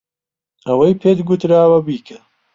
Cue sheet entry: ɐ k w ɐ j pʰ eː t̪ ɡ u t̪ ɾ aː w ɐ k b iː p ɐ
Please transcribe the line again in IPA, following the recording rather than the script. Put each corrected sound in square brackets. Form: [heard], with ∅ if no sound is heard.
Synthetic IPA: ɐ [∅] w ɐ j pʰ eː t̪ ɡ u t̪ ɾ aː w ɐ [∅] b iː [k] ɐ